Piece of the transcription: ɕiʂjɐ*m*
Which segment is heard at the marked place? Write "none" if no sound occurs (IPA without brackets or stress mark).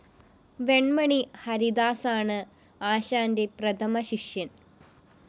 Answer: n